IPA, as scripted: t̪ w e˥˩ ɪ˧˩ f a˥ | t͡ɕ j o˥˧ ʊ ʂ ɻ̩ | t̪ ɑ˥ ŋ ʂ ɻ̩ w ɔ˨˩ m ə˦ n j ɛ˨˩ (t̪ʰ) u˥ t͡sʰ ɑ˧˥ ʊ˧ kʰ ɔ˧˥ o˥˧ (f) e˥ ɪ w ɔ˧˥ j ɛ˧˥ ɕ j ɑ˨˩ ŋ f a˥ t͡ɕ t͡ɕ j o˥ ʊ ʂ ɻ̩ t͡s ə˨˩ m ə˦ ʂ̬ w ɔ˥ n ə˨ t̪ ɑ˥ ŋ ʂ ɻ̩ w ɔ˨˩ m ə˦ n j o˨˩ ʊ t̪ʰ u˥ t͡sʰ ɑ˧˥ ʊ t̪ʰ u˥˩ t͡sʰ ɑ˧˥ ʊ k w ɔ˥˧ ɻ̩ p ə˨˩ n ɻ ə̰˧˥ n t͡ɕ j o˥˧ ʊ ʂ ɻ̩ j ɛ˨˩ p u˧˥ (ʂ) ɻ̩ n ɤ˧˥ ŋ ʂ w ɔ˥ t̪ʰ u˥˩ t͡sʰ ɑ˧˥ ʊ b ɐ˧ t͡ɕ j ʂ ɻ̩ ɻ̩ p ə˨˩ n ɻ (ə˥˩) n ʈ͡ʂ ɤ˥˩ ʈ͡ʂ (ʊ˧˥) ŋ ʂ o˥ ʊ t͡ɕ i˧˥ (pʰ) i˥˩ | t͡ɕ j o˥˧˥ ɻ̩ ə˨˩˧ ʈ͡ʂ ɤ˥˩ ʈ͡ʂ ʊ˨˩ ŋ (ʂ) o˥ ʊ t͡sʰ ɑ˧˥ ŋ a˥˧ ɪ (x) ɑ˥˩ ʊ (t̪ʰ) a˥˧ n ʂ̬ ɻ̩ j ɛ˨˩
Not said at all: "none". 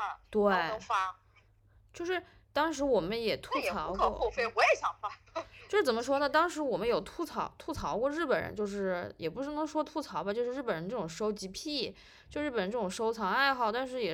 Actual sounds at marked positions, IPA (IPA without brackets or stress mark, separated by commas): t̪ʰ, f, ʂ, ə˧˦˥, ʊ˨˩, pʰ, ʂ, x, t̪